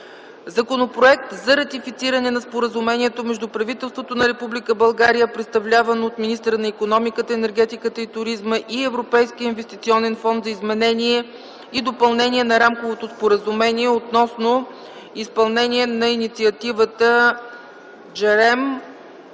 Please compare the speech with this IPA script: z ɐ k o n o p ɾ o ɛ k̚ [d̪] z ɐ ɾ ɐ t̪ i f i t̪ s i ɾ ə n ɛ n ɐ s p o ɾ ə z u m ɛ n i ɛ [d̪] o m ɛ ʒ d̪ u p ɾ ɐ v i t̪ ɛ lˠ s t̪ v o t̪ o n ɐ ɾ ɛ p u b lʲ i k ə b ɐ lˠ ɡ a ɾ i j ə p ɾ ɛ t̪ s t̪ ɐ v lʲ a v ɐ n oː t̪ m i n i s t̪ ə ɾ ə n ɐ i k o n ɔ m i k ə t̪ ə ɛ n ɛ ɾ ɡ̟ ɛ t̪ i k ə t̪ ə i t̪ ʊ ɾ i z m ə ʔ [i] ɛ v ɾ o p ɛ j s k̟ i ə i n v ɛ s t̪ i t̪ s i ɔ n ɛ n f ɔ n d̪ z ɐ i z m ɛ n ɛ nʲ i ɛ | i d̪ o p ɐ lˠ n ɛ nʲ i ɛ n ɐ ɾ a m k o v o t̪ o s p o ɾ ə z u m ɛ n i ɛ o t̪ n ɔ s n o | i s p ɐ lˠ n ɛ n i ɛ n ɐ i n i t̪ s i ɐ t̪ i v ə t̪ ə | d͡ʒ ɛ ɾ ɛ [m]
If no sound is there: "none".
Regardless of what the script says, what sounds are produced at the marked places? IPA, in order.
t̪, t̪, i, m

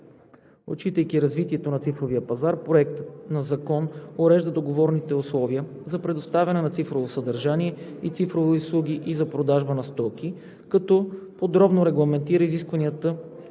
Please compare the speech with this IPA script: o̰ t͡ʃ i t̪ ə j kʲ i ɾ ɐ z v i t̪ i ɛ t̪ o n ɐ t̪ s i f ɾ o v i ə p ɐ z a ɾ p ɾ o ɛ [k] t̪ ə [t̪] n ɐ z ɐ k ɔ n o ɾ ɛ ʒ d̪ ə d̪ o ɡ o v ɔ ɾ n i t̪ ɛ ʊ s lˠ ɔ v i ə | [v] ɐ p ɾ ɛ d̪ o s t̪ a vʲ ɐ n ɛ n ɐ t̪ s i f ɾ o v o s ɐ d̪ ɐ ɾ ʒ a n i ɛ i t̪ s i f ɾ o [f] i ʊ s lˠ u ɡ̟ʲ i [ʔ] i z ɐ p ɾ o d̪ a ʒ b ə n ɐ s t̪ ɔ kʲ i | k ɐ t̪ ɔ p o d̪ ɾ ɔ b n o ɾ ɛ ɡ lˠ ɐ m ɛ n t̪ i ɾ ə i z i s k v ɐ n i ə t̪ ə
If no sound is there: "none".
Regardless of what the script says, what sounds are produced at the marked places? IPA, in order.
k, t̪, z, v, ʔ

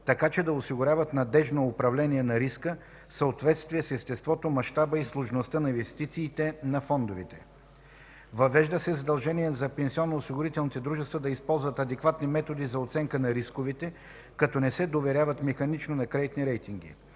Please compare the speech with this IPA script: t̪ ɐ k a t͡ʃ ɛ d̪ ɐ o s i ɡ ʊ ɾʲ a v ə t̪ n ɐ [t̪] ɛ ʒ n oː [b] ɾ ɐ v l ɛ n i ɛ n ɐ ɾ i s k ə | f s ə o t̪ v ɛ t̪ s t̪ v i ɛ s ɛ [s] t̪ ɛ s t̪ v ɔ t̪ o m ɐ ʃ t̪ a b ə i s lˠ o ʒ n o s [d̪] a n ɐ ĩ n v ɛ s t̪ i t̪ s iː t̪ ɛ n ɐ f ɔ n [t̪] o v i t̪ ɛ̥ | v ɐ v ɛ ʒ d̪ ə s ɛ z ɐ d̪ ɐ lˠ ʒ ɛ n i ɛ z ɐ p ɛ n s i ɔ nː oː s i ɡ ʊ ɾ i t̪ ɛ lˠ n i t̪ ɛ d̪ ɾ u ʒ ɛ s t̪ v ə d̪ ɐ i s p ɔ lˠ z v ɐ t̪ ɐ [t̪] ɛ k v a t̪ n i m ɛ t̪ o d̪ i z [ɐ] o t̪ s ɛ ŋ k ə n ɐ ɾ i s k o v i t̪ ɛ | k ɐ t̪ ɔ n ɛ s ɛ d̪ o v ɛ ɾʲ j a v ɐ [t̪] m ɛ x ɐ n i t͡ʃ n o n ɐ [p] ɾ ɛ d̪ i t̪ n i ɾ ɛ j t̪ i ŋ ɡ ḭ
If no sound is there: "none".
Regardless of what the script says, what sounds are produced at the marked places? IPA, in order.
d̪, p, s, t̪, d̪, d̪, ɐ, t̪, k

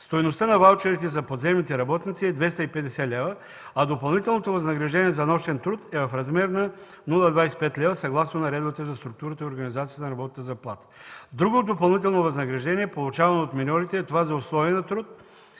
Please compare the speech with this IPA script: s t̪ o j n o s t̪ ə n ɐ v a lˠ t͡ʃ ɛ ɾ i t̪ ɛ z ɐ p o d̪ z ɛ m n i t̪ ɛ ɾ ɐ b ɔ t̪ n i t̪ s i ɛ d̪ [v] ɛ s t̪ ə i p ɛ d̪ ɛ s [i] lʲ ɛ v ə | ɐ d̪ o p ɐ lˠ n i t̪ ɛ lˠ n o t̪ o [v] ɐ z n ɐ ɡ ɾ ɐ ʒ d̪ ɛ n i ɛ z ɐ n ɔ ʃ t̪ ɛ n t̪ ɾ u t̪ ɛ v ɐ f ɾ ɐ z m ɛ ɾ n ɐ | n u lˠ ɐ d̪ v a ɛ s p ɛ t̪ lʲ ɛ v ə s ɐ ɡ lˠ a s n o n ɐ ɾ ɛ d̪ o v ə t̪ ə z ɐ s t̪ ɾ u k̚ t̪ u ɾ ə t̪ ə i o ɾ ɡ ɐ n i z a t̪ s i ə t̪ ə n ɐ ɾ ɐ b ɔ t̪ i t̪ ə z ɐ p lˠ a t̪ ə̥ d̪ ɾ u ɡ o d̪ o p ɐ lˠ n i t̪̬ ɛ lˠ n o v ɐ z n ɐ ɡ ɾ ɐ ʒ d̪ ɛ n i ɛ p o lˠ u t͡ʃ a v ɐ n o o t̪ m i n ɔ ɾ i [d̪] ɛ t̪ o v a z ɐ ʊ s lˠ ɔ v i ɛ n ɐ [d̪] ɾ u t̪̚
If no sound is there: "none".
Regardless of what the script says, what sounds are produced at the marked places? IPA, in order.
v, ɛ, v, t̪, t̪

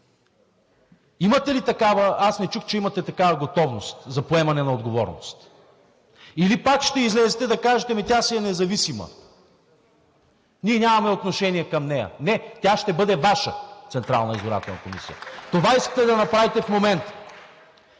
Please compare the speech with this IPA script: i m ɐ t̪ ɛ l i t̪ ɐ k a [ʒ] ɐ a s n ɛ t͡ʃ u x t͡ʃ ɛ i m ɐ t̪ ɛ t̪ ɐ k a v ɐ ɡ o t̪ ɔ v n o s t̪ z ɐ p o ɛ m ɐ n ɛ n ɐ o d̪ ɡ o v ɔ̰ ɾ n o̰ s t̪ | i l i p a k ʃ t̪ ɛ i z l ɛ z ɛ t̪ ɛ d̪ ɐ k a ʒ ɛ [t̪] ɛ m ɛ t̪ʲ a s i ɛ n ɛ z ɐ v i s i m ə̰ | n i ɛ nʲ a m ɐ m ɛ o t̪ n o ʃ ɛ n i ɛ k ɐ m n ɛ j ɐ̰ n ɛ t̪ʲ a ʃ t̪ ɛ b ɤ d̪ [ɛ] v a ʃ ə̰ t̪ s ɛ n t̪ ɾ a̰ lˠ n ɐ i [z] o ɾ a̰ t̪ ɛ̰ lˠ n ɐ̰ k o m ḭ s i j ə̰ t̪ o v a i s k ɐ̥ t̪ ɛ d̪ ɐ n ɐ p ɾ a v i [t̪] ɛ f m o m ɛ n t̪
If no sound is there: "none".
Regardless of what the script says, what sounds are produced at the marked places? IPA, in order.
v, t̪, ɛ, z, t̪

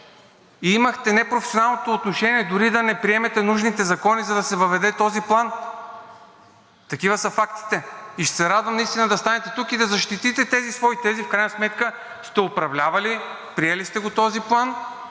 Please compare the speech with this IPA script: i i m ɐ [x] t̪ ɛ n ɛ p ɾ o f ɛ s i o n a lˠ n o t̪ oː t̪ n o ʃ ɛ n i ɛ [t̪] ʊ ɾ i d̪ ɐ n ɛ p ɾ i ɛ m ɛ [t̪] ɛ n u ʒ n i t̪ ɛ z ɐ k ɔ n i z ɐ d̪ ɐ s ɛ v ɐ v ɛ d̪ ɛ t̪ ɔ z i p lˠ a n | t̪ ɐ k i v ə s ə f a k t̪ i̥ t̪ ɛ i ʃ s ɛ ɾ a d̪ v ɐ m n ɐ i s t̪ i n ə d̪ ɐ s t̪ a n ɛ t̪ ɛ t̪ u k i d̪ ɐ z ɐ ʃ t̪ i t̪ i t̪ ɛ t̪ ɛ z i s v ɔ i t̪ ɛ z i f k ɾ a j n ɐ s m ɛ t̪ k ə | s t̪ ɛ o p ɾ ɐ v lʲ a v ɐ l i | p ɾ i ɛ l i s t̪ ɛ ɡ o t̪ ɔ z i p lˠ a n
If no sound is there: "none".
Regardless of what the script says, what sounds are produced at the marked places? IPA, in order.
x, d̪, t̪

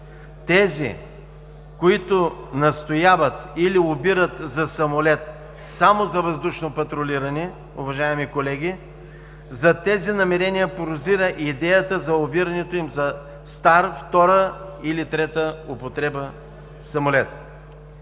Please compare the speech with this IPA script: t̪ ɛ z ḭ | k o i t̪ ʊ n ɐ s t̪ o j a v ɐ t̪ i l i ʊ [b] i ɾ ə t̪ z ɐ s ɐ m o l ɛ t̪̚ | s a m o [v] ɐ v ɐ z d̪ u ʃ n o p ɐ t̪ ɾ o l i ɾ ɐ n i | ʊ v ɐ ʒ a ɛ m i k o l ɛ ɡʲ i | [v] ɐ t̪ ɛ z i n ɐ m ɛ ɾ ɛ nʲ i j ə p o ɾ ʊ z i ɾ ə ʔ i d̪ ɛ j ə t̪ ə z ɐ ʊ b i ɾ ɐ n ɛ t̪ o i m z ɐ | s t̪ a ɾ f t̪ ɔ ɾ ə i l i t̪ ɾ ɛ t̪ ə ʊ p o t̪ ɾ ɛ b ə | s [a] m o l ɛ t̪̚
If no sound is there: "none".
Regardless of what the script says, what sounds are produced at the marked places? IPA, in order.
b, z, z, ɐ

